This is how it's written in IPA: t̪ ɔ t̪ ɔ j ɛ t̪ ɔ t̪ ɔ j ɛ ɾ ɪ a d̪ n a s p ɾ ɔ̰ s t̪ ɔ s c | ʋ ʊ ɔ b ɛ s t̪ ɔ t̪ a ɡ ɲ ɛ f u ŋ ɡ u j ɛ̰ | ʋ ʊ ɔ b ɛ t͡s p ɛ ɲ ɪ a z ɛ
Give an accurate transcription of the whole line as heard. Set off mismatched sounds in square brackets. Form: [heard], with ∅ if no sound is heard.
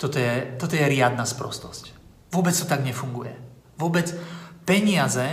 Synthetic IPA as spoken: t̪ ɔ t̪ ɔ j ɛ t̪ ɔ t̪ ɔ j ɛ ɾ ɪ a d̪ n a s p ɾ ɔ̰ s t̪ ɔ s c | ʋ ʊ ɔ b ɛ [t͡s] t̪ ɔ t̪ a ɡ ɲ ɛ f u ŋ ɡ u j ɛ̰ | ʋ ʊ ɔ b ɛ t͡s p ɛ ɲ ɪ a z ɛ